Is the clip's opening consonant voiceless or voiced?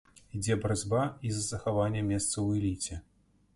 voiced